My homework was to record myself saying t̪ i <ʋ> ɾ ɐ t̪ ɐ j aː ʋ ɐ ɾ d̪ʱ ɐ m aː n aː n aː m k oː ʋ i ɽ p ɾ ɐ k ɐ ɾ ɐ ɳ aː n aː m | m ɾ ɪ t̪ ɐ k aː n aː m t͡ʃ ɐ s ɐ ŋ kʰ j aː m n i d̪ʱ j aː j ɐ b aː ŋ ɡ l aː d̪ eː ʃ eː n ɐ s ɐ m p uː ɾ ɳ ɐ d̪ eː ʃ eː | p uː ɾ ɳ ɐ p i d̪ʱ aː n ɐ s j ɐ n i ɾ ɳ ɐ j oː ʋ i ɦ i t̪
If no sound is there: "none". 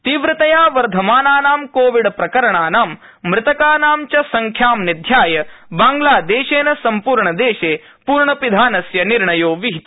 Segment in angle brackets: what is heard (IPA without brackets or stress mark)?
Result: ʋ